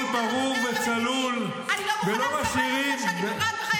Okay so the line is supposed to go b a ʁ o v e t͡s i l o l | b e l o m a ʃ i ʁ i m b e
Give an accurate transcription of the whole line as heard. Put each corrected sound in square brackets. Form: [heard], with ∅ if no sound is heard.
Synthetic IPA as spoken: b a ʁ [u] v e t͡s [a] l [u] l | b e l o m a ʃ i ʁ i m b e